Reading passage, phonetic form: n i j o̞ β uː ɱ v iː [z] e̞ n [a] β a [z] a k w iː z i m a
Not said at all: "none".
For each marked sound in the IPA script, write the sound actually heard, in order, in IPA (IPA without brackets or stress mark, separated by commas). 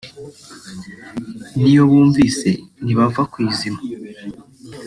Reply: s, i, v